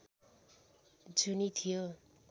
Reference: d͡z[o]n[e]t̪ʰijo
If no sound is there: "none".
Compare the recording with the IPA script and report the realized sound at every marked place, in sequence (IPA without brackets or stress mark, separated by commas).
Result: u, i